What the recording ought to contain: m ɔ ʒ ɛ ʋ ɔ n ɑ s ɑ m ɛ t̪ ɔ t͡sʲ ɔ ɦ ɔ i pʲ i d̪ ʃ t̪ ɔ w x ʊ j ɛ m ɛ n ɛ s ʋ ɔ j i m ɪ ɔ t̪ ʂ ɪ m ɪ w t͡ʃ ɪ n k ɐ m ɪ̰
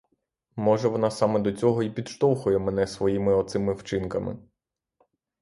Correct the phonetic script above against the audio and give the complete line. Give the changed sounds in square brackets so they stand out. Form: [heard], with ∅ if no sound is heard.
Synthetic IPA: m ɔ ʒ ɛ ʋ ɔ n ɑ s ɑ m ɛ [d̪] ɔ t͡sʲ ɔ ɦ ɔ i pʲ i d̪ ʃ t̪ ɔ w x ʊ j ɛ m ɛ n ɛ s ʋ ɔ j i m ɪ ɔ t̪ [s] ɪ m ɪ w t͡ʃ ɪ n k ɐ m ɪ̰